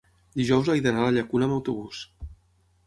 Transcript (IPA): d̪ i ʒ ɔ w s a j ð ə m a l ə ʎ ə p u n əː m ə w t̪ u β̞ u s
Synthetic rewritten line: d̪ i ʒ ɔ w z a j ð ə n a l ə ʎ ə k u n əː m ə w t̪ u β̞ u s